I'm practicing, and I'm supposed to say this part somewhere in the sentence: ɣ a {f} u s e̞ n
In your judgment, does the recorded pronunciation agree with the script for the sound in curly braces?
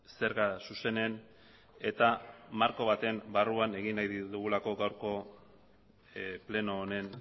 no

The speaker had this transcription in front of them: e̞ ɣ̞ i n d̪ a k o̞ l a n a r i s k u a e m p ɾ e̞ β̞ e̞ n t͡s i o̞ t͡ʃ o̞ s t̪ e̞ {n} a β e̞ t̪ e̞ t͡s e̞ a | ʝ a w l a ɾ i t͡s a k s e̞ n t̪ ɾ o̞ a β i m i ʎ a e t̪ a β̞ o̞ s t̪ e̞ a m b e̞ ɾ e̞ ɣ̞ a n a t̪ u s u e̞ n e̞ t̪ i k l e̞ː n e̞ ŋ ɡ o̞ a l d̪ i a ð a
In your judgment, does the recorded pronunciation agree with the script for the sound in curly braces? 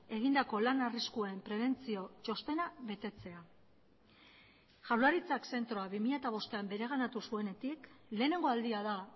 yes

